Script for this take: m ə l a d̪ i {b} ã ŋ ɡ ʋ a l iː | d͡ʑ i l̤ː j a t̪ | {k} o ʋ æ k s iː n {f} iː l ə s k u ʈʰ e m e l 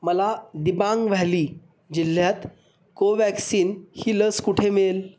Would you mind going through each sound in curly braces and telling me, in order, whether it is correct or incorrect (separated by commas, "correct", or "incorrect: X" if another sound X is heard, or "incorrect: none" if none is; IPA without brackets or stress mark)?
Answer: correct, correct, incorrect: h